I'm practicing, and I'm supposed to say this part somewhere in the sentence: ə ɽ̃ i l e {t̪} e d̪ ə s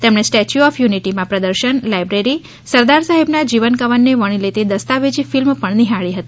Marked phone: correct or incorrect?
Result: correct